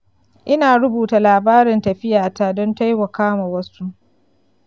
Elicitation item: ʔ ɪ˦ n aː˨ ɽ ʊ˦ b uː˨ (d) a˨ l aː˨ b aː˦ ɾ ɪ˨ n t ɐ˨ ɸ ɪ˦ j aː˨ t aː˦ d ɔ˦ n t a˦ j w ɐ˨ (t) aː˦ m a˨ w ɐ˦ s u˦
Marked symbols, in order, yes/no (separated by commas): no, no